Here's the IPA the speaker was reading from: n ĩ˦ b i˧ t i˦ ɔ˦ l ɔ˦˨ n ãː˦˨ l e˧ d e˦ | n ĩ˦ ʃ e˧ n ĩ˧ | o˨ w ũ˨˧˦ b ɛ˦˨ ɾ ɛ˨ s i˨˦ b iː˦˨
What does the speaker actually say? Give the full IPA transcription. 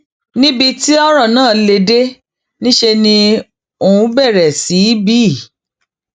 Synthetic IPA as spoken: n ĩ˦ b i˧ t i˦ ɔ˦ ɾ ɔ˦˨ n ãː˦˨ l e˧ d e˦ | n ĩ˦ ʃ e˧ n ĩ˧ | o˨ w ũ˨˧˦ b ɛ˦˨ ɾ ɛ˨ s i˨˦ b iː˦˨